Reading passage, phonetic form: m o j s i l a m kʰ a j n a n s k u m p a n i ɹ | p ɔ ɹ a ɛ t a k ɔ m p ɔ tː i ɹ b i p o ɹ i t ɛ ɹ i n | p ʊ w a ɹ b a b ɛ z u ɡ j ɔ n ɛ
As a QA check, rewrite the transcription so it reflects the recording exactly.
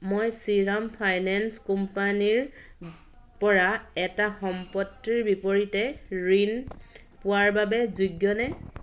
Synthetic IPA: m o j s i ɹ a m pʰ a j n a n s k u m p a n i ɹ | p ɔ ɹ a ɛ t a x ɔ m p ɔ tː i ɹ b i p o ɹ i t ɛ ɹ i n | p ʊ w a ɹ b a b ɛ z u ɡ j ɔ n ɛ